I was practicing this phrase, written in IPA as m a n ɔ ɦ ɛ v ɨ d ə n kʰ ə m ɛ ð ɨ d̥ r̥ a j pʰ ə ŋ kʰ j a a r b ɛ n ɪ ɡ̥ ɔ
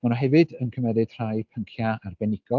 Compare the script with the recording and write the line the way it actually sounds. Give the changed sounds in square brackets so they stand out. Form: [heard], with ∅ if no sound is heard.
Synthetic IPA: m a n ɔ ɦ ɛ v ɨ d ə n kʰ ə m ɛ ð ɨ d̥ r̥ a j pʰ ə ŋ kʰ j a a r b ɛ n ɪ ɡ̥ ɔ